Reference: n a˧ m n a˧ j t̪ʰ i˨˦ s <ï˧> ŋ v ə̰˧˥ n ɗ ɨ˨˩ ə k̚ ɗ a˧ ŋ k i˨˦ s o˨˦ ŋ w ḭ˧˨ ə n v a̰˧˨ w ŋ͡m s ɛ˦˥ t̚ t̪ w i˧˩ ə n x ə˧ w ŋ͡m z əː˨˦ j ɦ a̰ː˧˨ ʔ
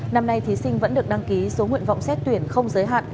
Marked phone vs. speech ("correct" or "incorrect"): correct